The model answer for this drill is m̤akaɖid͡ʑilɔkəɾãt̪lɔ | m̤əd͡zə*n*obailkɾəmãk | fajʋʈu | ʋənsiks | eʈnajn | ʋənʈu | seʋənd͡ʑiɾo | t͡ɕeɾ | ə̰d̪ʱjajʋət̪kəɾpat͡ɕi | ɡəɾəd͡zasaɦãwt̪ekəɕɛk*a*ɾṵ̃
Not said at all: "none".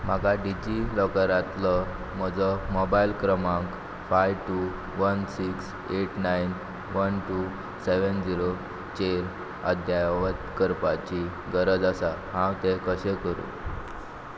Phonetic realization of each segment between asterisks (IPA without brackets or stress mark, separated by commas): m, ə